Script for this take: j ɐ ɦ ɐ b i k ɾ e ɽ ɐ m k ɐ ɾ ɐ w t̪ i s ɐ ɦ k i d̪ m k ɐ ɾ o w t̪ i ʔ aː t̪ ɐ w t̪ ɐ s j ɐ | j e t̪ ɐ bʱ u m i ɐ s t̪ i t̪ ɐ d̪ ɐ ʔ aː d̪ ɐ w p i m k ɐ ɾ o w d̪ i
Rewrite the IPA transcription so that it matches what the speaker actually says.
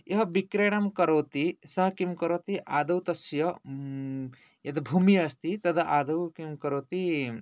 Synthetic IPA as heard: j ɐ ɦ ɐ b i k ɾ e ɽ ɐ m k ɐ ɾ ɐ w t̪ i s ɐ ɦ k i m k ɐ ɾ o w t̪ i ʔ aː d̪ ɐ w t̪ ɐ s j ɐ | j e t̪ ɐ bʱ u m i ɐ s t̪ i t̪ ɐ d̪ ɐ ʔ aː d̪ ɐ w k i m k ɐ ɾ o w t̪ i